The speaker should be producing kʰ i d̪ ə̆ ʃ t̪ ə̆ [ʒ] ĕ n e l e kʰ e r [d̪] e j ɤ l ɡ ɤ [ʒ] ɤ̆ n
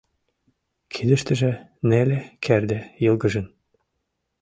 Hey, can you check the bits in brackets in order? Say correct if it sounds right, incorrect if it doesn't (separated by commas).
correct, correct, correct